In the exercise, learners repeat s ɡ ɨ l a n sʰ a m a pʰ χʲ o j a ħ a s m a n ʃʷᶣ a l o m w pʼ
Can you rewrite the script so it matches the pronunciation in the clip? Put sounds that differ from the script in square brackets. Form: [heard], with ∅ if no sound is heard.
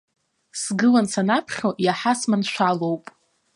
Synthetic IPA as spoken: s ɡ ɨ l a n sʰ a [n] a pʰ χʲ o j a ħ a s m a n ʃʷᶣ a l o [∅] w pʼ